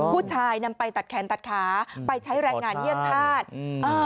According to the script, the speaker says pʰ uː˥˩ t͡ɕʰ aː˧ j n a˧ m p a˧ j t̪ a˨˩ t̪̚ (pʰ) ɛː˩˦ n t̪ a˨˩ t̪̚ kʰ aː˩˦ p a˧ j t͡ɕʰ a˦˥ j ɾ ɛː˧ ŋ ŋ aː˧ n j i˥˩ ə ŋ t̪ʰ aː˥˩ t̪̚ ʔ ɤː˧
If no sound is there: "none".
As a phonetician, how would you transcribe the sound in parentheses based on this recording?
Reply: kʰ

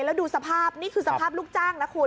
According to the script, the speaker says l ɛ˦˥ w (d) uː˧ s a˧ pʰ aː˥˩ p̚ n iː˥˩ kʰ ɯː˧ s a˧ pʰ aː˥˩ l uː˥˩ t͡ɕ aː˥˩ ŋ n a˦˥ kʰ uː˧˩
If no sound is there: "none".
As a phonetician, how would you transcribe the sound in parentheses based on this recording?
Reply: d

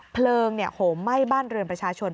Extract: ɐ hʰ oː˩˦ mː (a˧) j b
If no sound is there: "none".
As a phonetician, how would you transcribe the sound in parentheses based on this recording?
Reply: a˥˩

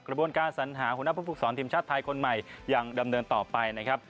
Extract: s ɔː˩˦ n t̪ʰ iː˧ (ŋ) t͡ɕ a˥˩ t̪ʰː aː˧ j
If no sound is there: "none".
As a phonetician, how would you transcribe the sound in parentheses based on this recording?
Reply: m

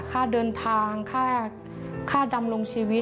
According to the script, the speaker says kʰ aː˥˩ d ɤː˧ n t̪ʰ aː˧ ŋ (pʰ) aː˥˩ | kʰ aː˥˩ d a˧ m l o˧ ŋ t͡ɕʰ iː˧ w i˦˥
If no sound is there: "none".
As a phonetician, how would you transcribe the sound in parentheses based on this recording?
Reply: kʰ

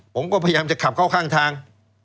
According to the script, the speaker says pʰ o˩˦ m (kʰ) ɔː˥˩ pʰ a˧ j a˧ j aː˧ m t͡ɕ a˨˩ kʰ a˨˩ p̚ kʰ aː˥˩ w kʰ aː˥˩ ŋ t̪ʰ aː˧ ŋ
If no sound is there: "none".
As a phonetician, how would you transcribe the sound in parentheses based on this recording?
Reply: k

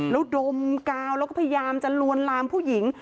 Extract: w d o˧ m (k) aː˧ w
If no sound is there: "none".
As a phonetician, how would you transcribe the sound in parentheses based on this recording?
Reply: k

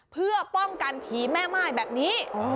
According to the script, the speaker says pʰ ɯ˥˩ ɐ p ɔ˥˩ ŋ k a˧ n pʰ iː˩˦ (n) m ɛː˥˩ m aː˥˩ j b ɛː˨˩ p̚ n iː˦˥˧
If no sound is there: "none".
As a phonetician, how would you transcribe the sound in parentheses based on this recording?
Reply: none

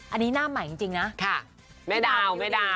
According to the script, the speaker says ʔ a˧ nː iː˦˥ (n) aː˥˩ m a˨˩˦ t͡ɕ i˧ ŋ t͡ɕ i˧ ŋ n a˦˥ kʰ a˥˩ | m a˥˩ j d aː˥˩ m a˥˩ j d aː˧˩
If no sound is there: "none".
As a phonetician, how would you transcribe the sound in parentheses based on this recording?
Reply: n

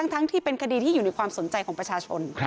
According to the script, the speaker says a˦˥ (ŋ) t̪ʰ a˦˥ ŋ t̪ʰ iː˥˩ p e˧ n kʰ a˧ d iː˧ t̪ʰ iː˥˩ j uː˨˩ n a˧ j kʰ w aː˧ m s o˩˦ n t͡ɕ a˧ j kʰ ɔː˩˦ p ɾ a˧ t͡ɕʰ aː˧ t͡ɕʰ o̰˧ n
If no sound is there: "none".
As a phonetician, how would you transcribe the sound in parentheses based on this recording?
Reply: ŋ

